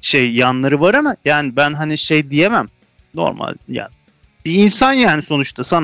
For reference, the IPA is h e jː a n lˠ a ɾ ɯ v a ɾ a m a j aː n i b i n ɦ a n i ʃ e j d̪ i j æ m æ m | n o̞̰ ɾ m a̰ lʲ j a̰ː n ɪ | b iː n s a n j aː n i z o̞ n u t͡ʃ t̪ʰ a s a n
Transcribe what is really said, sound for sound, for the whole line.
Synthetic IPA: ʃ e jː a n lˠ a ɾ ɯ v a ɾ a m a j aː n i b æ n ɦ a n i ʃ e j d̪ i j e m æ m | n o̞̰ ɾ m a̰ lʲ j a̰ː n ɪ | b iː n s a n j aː n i s o̞ n u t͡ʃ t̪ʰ a s a n